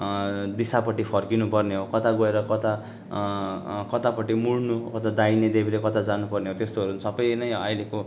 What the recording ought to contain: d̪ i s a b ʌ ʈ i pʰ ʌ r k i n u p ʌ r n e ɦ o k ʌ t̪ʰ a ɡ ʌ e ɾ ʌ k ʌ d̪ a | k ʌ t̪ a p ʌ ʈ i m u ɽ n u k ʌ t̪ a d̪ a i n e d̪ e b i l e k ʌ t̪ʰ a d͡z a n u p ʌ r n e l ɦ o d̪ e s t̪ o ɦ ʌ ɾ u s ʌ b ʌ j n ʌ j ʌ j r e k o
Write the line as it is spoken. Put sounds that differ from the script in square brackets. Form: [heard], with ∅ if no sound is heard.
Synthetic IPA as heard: d̪ i s a [p] ʌ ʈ i pʰ ʌ r k i n u p ʌ r n e ɦ o k ʌ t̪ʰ a ɡ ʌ e ɾ ʌ k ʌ [t̪] a | k ʌ t̪ a p ʌ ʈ i m u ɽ n u k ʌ t̪ a d̪ a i n e d̪ e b i l e k ʌ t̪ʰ a d͡z a n u p ʌ r n e [∅] ɦ o [t̪] e s t̪ o ɦ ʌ ɾ u s ʌ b ʌ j n ʌ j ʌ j [l] e k o

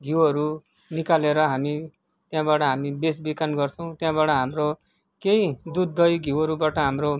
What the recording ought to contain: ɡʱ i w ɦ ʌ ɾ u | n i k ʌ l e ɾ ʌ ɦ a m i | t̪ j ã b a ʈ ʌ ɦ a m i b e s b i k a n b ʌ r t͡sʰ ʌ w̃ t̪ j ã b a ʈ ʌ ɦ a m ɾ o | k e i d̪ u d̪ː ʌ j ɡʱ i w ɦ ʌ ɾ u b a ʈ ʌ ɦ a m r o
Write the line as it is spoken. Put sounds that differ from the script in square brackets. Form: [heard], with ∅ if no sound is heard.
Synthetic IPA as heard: ɡʱ i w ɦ ʌ ɾ u | n i k [a] l e ɾ ʌ ɦ a m i | t̪ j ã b a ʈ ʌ ɦ a m i b e s b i k a n [ɡ] ʌ r t͡sʰ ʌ w̃ t̪ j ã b a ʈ ʌ ɦ a m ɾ o | k e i d̪ u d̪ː ʌ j ɡʱ i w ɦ ʌ ɾ u b a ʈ ʌ ɦ a m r o

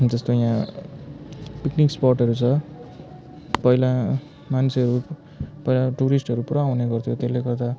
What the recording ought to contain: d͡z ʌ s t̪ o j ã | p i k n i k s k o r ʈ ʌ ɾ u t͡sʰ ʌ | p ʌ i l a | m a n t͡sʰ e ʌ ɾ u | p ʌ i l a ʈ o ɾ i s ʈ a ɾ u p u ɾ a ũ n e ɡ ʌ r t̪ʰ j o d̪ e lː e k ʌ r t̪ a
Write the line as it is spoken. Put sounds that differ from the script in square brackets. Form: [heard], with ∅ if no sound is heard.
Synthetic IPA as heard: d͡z ʌ s t̪ o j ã | p i k n i k s [p] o r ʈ ʌ ɾ u t͡sʰ ʌ | p ʌ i l a | m a n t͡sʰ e ʌ ɾ u | p ʌ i l a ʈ [u] ɾ i s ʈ [ʌ] ɾ u p u ɾ a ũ n e ɡ ʌ r t̪ʰ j o [t̪] e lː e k ʌ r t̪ a

